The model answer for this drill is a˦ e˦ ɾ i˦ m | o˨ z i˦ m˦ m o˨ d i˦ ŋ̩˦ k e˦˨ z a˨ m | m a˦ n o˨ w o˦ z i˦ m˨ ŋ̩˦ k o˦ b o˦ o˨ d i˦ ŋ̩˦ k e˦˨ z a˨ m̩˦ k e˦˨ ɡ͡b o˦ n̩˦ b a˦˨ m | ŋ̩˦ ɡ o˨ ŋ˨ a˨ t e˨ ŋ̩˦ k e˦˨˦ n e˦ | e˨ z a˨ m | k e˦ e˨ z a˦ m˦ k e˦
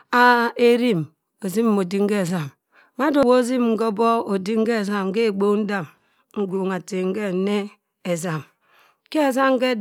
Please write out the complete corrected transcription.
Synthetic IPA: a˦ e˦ ɾ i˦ m | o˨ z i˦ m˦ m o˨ d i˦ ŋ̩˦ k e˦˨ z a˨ m | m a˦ d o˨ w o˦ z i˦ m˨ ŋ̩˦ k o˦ b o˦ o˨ d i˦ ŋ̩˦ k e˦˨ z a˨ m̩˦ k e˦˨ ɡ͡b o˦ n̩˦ d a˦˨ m | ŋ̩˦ ɡ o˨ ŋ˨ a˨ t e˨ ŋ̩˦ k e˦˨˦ n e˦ | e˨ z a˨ m | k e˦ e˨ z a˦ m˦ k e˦